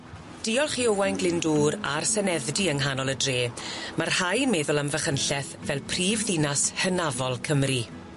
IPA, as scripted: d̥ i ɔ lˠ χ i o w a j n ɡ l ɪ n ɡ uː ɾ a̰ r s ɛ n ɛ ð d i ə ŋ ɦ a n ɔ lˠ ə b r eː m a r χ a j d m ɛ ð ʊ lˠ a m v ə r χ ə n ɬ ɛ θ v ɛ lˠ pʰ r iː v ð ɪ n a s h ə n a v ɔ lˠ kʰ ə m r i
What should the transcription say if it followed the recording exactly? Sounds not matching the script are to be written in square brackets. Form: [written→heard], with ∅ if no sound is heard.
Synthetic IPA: d̥ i ɔ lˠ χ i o w a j n ɡ l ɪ n [ɡ→d] uː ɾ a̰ r s ɛ n ɛ ð d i ə ŋ ɦ a n ɔ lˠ ə [b→d] r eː m a r [χ→h] a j [d→n] m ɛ ð ʊ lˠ a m v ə [r→∅] χ ə n ɬ ɛ θ v ɛ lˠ pʰ r iː v ð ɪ n a s h ə n a v ɔ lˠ kʰ ə m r i